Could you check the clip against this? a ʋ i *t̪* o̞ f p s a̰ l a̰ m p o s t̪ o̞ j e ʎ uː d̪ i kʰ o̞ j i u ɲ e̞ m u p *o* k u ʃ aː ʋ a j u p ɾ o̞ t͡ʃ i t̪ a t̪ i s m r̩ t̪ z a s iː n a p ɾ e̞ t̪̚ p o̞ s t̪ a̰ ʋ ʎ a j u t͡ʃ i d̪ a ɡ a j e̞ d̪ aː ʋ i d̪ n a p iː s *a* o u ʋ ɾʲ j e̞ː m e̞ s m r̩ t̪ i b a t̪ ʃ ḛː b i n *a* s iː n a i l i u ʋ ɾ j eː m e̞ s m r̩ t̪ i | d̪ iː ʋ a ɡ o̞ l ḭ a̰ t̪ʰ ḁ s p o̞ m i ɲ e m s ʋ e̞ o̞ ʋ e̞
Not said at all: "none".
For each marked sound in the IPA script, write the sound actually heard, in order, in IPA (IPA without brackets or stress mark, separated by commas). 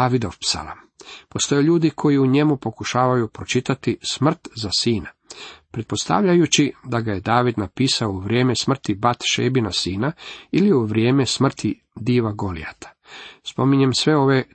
d̪, o, a, a